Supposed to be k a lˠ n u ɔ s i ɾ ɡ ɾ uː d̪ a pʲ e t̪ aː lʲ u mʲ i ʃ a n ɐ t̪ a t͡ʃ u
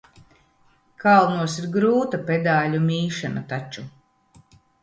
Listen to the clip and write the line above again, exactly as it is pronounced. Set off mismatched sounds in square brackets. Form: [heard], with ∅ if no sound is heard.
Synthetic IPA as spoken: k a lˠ n u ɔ s i ɾ ɡ ɾ uː [t̪] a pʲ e [d̪] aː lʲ u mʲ [iː] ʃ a n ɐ t̪ a t͡ʃ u